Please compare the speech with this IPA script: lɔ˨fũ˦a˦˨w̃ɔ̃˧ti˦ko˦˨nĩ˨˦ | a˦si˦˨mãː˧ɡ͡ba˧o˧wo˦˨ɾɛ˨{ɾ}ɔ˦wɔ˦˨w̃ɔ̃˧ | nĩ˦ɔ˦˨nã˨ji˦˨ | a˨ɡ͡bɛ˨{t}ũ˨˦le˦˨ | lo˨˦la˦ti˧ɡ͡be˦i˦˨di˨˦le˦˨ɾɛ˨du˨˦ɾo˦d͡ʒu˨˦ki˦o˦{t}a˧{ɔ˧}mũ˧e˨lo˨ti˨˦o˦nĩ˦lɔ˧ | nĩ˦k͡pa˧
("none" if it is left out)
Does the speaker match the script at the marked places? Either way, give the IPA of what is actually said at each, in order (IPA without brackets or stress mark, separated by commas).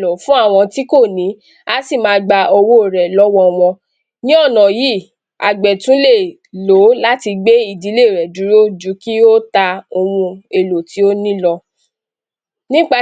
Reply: l, t, t, o˧